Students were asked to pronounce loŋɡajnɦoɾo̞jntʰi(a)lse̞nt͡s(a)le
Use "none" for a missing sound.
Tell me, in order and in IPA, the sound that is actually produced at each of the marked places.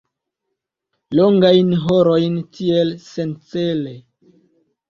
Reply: e, e

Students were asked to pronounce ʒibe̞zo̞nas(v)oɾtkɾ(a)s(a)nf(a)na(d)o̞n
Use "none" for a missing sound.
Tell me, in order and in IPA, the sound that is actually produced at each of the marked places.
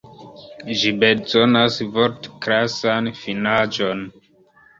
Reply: v, a, a, i, d͡ʒ

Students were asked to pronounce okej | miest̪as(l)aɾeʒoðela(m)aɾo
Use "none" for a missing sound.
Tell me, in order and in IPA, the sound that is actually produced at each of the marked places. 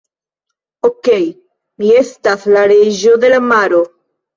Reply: l, m

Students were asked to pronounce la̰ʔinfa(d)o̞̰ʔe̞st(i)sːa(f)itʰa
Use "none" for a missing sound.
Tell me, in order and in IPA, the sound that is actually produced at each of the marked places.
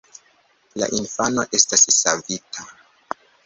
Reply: n, a, v

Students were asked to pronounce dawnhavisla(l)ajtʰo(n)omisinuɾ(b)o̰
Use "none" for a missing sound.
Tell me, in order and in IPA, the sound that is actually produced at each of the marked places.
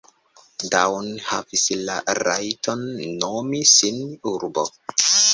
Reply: ɾ, nː, b

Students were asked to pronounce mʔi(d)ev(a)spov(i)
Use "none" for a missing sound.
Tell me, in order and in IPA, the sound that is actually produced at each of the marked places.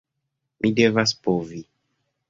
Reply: d, a, i

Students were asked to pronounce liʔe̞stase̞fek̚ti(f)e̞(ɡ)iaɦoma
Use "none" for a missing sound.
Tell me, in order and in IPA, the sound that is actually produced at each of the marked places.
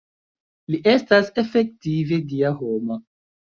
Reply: v, d

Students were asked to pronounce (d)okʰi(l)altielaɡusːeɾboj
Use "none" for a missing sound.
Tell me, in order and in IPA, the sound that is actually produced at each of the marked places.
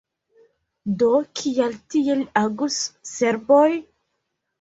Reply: d, none

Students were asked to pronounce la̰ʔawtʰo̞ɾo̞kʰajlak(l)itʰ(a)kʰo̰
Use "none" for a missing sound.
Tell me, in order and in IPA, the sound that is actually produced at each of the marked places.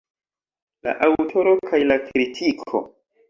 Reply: ɾ, i

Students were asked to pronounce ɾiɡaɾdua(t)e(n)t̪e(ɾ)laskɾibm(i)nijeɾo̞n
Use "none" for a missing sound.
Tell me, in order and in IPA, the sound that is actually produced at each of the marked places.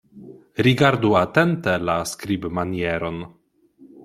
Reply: t, n, none, a

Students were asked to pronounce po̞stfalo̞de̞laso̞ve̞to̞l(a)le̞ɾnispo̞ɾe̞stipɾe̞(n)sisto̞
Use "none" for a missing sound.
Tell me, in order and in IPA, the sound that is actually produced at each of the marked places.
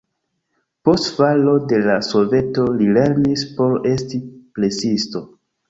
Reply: i, none

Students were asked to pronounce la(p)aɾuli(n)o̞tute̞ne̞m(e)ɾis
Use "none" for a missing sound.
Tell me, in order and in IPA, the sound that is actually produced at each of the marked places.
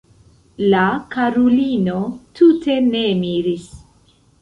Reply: k, n, i

